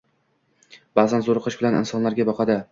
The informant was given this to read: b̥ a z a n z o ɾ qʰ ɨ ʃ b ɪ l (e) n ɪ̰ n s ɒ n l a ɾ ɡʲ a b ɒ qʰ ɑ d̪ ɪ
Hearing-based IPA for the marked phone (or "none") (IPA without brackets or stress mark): a